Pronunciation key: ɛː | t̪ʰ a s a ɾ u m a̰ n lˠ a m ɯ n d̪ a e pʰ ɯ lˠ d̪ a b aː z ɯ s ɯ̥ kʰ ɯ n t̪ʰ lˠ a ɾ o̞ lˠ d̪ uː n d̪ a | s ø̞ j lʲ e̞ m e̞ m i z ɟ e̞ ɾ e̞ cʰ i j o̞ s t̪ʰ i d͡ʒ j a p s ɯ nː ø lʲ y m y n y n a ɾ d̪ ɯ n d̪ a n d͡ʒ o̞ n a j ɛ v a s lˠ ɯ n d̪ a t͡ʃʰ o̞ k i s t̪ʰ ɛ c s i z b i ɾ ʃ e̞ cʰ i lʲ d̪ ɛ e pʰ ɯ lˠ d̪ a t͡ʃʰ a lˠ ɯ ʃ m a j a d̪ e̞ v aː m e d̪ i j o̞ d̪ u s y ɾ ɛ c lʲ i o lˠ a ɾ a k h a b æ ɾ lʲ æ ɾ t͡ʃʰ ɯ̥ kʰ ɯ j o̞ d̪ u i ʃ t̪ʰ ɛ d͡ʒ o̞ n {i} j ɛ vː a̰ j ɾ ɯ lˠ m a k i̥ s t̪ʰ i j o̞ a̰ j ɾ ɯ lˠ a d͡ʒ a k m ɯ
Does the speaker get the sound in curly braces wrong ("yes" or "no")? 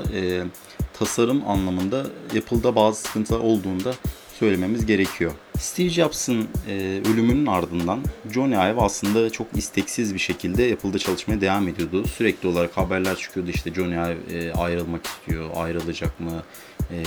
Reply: yes